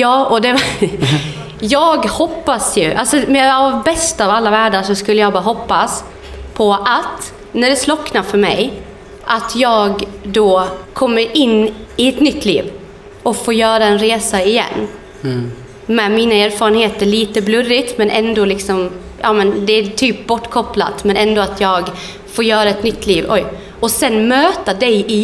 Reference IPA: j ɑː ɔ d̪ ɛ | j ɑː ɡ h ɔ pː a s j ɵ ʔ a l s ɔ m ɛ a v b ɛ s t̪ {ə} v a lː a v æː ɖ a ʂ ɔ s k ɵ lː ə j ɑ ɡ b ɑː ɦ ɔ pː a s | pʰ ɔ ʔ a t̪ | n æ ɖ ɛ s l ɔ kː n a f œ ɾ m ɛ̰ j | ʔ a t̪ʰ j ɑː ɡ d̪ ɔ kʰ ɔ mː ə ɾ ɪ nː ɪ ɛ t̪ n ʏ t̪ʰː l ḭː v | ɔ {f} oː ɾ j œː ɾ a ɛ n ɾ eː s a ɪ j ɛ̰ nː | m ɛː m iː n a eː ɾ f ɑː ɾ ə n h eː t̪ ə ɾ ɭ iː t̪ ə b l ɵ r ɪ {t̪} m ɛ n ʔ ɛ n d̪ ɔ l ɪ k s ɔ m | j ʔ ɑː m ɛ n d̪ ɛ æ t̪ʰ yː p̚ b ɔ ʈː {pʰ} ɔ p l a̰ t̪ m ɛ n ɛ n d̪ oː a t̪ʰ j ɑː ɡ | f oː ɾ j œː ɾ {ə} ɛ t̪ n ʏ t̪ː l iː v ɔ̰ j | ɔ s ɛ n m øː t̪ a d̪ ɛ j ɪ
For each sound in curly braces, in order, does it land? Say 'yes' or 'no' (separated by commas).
no, yes, yes, no, no